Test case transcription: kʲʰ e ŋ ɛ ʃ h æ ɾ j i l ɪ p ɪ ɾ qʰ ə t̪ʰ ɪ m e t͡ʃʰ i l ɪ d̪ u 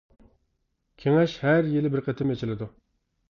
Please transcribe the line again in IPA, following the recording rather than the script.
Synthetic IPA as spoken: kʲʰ e ŋ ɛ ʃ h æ ɾ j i l ɪ b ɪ ɾ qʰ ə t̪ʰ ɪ m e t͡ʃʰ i l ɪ d̪ u